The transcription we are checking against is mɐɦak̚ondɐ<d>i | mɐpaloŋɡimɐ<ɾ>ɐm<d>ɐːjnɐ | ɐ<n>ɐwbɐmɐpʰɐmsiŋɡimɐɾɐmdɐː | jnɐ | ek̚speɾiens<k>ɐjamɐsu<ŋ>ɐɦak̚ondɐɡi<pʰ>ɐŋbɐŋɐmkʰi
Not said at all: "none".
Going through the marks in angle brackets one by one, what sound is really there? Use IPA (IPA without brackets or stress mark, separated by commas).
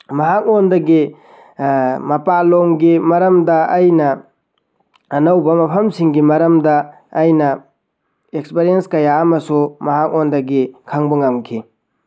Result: ɡ, ɾ, d, n, k, m, kʰ